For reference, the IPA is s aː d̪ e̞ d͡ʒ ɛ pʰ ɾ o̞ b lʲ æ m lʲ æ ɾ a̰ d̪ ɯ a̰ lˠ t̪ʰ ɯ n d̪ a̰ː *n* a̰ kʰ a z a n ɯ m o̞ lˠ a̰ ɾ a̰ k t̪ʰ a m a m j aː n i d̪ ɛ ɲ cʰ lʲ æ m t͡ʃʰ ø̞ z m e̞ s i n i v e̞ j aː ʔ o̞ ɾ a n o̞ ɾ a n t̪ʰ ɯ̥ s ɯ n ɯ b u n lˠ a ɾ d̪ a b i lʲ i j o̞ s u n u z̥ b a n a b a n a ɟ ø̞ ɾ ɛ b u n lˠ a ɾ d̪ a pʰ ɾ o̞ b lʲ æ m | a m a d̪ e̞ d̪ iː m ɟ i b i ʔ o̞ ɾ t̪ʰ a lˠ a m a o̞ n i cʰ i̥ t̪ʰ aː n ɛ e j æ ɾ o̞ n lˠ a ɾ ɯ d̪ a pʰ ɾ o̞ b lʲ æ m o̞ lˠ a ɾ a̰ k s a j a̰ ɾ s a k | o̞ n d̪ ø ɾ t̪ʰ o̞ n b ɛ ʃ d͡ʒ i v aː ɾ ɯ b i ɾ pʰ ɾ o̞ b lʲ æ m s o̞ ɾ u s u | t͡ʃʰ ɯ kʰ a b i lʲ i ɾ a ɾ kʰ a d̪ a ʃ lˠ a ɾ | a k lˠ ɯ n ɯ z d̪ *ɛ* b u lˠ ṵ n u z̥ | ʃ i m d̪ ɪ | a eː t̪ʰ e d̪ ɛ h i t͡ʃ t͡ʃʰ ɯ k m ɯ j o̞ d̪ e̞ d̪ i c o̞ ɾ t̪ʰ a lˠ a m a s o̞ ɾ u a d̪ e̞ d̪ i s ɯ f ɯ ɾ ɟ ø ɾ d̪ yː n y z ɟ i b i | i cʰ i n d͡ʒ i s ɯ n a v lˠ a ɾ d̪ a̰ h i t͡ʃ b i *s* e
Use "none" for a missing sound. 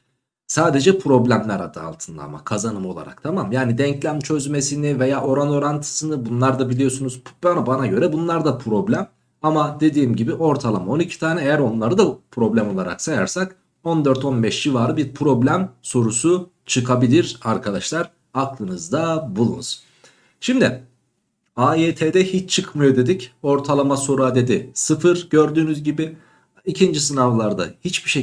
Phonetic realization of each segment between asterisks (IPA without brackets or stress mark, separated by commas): m, a, ʃ